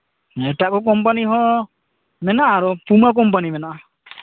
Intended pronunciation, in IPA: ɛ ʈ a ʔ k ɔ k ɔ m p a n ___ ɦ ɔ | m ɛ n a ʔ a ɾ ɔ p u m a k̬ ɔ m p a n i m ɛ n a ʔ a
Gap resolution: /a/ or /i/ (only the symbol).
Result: i